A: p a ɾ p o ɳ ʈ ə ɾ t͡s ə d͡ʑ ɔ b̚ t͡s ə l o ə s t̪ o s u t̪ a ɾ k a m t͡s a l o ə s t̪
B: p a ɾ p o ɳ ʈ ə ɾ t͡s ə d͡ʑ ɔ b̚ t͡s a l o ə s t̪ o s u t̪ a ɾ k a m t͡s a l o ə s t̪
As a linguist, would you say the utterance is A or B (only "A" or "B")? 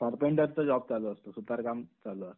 B